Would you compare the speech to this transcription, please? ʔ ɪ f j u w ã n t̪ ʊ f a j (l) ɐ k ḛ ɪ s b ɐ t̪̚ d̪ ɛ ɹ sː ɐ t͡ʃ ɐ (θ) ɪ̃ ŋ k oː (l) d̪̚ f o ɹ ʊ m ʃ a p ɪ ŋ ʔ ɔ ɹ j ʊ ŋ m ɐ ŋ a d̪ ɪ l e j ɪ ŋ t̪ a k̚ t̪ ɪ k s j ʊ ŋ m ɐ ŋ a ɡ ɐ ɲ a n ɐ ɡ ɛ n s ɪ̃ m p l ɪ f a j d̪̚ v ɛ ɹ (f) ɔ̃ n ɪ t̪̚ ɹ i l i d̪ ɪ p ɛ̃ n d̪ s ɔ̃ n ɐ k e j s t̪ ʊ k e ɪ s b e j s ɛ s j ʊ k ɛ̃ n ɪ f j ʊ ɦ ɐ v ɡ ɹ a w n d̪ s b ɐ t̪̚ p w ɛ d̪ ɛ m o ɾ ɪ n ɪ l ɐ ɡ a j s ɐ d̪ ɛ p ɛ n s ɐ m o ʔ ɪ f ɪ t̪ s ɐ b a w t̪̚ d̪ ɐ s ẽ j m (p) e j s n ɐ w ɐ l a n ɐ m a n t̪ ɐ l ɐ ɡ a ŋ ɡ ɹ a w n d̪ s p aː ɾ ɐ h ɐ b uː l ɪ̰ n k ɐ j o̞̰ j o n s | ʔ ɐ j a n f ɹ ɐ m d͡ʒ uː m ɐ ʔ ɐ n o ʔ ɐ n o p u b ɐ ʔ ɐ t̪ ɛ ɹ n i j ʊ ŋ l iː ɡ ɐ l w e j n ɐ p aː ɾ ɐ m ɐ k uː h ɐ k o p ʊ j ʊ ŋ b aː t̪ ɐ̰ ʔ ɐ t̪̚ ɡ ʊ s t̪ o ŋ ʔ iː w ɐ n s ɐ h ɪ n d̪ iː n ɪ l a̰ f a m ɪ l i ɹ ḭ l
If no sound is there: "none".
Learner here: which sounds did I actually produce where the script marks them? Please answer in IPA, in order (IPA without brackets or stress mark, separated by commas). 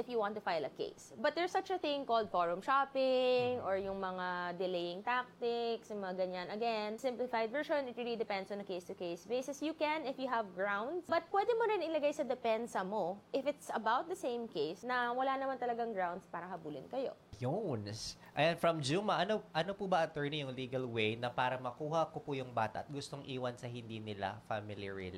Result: l, θ, l, ʃ, k